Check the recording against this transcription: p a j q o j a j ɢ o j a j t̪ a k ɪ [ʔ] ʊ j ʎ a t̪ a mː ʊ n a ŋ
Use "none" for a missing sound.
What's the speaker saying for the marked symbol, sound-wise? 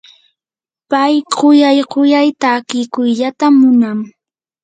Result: k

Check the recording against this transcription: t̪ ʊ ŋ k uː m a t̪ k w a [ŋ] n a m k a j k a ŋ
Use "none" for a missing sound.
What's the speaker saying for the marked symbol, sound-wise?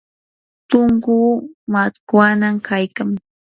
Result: none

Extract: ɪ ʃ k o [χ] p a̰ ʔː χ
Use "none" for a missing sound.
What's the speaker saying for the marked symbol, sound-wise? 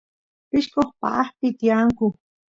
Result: χ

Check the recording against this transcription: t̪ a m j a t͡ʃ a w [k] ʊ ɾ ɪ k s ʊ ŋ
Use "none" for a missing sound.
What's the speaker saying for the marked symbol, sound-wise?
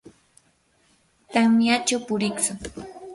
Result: p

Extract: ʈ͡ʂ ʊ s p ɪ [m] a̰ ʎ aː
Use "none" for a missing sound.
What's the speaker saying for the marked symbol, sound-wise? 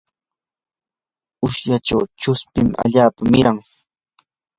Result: m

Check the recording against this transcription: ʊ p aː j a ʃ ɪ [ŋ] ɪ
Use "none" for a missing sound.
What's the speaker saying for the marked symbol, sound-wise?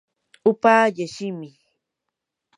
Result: m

